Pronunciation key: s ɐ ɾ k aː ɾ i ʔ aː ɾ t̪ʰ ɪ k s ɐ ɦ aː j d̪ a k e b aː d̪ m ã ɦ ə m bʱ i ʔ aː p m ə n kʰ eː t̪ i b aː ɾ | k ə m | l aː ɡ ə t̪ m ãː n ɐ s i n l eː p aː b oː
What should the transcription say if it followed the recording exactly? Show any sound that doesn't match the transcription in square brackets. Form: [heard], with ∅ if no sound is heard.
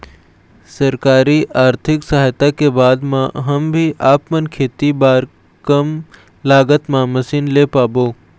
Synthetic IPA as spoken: s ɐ ɾ k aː ɾ i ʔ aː ɾ t̪ʰ ɪ k s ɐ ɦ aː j [t̪] a k e b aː d̪ m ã ɦ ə m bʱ i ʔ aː p m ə n kʰ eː t̪ i b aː ɾ | k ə m | l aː ɡ ə t̪ m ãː [m] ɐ s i n l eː p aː b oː